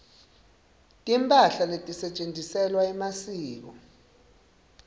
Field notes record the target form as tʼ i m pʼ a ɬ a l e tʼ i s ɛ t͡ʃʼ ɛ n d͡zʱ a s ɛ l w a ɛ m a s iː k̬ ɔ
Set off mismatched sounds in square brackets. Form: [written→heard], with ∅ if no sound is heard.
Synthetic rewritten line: tʼ i m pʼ a ɬ a l e tʼ i s ɛ t͡ʃʼ [ɛ→e] n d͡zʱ [a→i] s ɛ l w a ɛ m a s iː k̬ ɔ